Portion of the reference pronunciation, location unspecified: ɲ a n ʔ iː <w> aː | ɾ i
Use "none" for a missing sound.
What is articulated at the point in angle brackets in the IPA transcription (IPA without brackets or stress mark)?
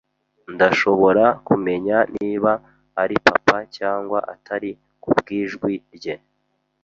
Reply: β